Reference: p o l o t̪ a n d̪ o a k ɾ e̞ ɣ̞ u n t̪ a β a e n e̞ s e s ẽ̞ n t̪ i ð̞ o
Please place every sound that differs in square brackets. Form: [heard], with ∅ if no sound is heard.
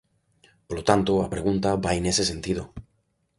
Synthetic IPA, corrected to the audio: p o l o t̪ a n [t̪] o a [p] ɾ e̞ ɣ̞ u n t̪ a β a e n e̞ s e s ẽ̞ n t̪ i ð̞ o